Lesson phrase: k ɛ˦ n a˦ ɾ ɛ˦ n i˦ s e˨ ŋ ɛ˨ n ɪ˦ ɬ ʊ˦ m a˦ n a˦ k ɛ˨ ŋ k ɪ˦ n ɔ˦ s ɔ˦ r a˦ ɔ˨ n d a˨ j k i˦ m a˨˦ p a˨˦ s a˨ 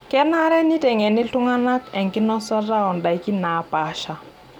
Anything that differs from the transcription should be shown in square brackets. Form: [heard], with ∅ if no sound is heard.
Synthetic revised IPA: k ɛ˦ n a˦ ɾ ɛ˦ n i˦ [t] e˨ ŋ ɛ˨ n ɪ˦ ɬ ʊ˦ [ŋ] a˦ n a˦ k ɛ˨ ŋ k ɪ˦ n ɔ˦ s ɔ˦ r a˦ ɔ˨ n d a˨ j k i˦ [n] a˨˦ p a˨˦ [ʃ] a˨